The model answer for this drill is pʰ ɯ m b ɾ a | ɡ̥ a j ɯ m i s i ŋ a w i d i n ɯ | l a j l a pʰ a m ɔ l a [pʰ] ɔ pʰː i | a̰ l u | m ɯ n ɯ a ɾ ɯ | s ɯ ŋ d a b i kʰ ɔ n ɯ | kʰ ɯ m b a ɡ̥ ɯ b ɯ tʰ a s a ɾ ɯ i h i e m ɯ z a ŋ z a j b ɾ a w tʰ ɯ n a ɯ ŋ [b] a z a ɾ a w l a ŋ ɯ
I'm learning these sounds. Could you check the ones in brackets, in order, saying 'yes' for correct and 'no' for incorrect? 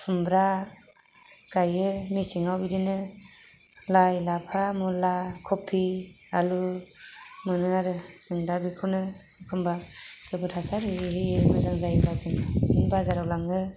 no, yes

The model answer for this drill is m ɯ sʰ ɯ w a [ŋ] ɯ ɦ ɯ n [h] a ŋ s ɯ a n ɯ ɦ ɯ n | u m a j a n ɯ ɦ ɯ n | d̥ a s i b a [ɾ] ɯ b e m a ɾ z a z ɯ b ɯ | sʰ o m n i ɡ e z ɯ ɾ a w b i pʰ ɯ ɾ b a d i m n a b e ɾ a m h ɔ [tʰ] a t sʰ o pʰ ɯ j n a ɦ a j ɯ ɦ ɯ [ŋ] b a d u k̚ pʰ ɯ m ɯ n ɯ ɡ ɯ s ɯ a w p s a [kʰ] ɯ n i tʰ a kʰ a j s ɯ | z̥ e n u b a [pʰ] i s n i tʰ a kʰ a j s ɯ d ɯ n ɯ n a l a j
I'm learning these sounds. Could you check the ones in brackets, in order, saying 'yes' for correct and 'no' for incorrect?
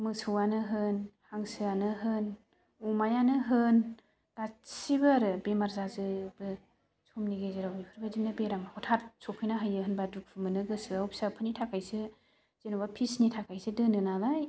no, yes, yes, yes, no, no, yes

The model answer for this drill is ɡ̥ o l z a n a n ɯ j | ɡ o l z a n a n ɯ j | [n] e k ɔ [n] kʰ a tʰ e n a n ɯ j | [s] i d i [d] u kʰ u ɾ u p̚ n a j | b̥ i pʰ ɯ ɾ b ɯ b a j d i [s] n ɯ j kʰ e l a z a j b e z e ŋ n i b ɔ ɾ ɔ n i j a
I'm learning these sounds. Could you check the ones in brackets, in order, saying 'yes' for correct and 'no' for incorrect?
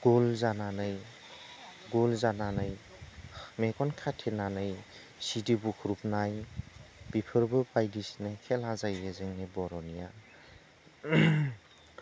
no, yes, yes, no, yes

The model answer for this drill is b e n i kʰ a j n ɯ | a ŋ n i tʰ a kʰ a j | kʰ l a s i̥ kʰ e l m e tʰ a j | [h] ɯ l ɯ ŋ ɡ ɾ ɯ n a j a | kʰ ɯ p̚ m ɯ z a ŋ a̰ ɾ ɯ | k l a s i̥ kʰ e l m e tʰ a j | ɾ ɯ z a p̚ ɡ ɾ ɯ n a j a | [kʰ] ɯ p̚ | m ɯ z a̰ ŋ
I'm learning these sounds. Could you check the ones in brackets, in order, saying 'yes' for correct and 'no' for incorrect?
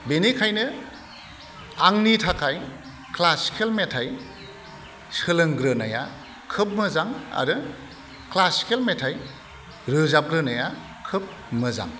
no, yes

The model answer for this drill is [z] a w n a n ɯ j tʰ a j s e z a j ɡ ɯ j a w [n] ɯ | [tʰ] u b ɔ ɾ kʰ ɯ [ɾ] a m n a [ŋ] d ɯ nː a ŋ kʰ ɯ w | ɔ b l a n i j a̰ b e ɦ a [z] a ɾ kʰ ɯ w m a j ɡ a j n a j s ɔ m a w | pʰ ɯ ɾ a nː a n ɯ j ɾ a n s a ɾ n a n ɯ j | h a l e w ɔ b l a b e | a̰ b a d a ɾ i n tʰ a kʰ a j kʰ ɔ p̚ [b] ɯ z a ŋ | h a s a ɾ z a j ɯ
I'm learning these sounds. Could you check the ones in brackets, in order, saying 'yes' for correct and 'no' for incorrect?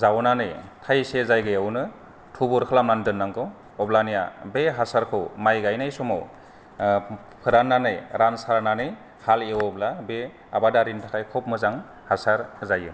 yes, yes, yes, no, no, no, no

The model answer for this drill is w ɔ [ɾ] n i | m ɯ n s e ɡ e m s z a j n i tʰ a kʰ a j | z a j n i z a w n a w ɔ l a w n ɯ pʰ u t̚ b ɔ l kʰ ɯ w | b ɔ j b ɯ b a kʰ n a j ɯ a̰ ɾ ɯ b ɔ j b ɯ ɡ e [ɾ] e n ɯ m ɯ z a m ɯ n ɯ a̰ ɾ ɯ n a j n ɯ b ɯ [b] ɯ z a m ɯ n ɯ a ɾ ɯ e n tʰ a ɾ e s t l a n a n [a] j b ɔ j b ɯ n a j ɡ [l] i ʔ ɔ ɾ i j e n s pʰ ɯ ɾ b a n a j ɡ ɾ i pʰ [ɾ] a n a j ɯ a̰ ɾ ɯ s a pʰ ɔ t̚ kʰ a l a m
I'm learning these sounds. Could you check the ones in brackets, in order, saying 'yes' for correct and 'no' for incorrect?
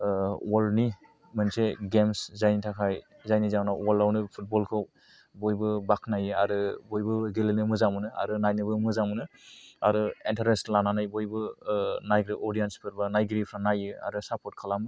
no, no, no, yes, no, yes

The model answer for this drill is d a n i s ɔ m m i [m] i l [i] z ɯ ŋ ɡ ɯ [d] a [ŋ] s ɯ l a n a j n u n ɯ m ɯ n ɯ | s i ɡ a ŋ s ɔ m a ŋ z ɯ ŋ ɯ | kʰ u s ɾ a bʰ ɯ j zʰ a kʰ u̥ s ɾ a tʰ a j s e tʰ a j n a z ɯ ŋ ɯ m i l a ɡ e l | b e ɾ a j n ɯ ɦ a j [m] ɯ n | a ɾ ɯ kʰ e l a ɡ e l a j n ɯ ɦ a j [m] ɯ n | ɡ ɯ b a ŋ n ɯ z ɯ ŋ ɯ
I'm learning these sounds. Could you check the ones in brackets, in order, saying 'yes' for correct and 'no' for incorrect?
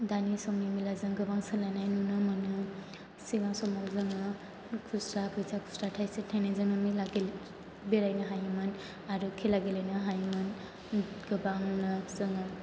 yes, no, no, yes, yes, yes

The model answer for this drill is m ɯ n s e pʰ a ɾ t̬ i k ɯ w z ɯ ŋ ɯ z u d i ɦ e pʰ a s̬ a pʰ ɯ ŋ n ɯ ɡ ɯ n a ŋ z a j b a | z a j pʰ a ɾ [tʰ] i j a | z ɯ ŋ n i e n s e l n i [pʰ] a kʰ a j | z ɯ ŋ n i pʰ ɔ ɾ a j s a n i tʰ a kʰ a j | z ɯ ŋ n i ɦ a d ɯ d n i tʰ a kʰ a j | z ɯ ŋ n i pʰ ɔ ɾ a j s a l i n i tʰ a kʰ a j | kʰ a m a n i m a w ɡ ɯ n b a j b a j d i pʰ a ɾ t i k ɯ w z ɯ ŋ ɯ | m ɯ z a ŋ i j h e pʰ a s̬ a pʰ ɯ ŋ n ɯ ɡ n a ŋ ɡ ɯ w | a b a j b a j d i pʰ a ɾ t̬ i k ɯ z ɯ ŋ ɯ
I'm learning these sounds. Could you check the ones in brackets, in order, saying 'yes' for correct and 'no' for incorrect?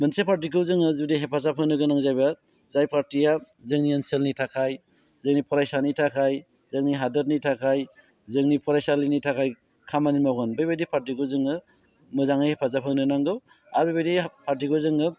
no, no

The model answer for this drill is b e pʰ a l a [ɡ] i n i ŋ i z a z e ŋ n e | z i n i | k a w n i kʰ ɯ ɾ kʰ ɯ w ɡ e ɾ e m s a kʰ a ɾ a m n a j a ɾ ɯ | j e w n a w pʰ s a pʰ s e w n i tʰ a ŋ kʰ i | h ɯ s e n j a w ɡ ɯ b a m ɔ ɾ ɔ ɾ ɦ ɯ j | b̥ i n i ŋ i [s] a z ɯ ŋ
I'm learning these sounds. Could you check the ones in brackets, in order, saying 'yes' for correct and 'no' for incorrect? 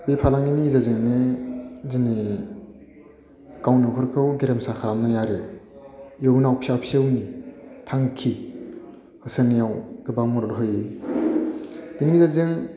no, no

